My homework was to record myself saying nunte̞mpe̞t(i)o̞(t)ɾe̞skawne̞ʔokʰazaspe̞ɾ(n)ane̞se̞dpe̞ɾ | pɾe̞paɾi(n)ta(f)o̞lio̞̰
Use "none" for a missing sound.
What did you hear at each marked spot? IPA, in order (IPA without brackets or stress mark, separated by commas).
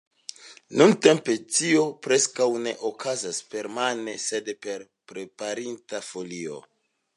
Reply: i, p, m, n, f